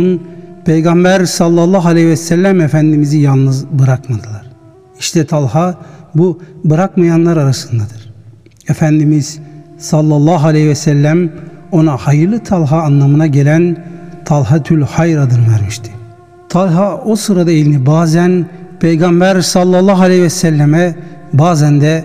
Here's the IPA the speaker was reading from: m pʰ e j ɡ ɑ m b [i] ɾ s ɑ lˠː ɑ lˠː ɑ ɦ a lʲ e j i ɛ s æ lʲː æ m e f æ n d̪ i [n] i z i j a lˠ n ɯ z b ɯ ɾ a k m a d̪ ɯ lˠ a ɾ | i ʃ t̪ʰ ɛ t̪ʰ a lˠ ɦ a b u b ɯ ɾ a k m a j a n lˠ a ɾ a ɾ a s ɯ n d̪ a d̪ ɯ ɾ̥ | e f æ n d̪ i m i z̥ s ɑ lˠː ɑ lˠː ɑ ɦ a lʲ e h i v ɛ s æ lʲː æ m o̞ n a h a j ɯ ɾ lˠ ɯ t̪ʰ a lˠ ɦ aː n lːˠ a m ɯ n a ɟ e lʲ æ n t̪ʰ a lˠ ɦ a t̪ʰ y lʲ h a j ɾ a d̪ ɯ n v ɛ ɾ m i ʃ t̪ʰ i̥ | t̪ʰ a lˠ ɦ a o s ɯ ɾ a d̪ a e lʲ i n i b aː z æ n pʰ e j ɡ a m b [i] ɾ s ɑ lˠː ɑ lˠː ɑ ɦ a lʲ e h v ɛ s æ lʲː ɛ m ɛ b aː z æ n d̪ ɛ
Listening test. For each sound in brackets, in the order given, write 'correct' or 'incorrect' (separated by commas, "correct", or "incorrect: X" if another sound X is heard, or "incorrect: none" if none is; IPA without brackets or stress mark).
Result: incorrect: æ, incorrect: m, incorrect: æ